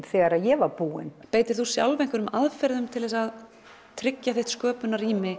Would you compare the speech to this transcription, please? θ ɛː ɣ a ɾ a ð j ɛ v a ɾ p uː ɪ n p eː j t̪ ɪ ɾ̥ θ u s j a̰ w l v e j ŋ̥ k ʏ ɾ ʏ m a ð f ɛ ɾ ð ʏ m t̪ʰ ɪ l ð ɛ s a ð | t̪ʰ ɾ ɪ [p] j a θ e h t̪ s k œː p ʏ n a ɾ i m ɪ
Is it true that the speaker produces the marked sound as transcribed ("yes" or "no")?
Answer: no